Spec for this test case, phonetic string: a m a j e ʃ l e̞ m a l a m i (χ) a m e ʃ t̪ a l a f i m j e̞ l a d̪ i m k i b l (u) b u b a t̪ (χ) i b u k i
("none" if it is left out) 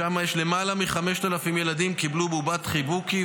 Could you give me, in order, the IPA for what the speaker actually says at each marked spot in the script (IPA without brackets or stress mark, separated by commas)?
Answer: χ, u, χ